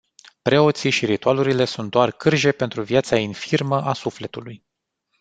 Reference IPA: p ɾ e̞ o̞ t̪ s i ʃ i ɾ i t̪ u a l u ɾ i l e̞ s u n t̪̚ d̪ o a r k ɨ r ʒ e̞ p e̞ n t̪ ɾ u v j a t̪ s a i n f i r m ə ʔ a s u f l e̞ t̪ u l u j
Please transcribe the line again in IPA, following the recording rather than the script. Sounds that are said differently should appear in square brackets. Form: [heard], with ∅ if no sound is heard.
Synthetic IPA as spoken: p ɾ e̞ o̞ t̪ s i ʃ i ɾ i t̪ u a l u ɾ i l e̞ s u n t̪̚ d̪ o a r k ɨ r ʒ e̞ p e̞ n t̪ ɾ u v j a t̪ s a i n f i r m ə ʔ a s u f l e̞ t̪ u l u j

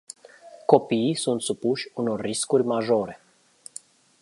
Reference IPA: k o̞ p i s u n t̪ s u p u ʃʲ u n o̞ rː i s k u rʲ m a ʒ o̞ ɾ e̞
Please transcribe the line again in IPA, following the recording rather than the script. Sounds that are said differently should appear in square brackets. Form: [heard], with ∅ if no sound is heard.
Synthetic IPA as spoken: k o̞ p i s u n t̪ s u p u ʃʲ u n o̞ rː i s k u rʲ m a ʒ o̞ ɾ e̞

